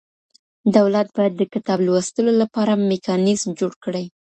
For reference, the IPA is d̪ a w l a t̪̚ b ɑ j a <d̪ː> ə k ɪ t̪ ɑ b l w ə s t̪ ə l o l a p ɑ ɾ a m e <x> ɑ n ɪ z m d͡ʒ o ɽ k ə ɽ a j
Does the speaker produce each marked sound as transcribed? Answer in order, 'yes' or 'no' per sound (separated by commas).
yes, no